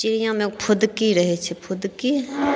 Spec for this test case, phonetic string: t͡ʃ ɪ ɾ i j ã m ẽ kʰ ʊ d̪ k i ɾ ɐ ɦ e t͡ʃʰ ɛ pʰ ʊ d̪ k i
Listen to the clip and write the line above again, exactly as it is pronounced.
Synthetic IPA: t͡ʃ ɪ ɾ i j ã m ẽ pʰ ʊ d̪ k i ɾ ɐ ɦ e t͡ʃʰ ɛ pʰ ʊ d̪ k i

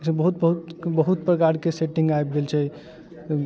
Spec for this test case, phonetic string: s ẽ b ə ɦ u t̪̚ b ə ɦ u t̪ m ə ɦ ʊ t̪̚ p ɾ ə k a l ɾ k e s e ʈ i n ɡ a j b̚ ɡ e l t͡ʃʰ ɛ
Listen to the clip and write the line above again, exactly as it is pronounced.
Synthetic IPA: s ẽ b ə ɦ u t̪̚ b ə ɦ u t̪ b ə ɦ u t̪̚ p ɾ ə k a ɾ k e s e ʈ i ŋ ɡ a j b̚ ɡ e l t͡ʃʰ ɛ

